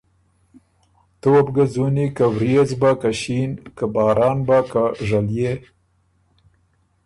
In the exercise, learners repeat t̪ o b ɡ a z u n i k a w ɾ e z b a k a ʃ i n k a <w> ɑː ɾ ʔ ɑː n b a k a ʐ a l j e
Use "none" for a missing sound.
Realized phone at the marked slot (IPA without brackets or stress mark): b